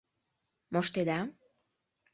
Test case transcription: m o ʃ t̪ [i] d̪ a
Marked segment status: incorrect: e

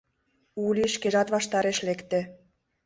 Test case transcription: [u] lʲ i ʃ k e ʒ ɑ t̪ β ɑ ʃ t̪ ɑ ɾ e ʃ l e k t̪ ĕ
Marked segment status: correct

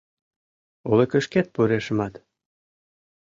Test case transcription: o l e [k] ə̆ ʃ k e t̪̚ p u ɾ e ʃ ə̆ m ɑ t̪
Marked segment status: correct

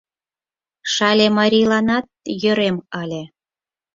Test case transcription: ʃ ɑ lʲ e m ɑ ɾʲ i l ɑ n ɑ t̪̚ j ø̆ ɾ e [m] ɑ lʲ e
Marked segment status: correct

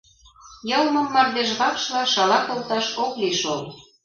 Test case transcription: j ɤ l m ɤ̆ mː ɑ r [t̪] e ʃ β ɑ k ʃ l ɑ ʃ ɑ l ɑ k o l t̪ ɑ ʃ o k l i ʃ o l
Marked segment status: incorrect: d̪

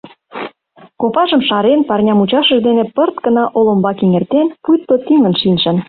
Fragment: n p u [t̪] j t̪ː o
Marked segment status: incorrect: none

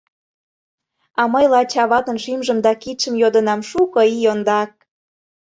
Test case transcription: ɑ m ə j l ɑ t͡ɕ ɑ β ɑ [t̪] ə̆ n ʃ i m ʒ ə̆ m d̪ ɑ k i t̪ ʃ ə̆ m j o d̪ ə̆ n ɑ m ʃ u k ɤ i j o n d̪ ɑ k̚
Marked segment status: correct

